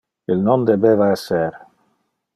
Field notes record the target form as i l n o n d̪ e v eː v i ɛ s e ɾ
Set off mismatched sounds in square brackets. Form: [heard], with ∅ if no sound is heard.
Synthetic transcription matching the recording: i l n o n d̪ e [b] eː v [a] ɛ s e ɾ